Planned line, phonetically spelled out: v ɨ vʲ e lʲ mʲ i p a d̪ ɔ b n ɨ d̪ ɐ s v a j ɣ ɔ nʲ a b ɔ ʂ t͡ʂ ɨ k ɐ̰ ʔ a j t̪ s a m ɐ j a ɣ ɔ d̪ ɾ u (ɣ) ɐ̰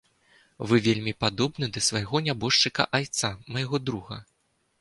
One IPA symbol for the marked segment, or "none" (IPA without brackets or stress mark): ɣ